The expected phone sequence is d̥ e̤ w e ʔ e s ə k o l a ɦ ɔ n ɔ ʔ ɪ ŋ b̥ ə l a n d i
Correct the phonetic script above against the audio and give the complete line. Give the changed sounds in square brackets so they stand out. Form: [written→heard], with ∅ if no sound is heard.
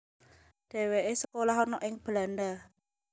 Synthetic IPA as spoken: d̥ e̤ w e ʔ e s ə k o l a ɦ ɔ n ɔ ʔ ɪ ŋ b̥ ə l a n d [i→a]